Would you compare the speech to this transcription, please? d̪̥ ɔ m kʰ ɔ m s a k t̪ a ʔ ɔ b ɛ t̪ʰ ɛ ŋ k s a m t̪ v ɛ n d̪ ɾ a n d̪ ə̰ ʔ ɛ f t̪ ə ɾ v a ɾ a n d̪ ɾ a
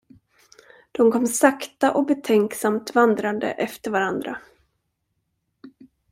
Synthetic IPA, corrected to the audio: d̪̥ ɔ m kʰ ɔ m s a k t̪ a ʔ ɔ b ɛ t̪ʰ ɛ ŋ k s a m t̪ v a n d̪ ɾ a n d̪ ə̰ ʔ ɛ f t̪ ə ɾ v a ɾ a n d̪ ɾ a